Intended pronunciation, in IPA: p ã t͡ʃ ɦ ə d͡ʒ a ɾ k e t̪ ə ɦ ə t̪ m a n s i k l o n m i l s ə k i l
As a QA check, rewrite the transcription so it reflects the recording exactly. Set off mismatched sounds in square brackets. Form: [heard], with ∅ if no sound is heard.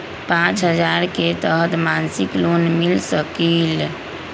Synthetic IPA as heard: p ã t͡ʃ ɦ ə d͡ʒ a ɾ k e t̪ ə ɦ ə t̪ m a n s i k l o n m i l s ə k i l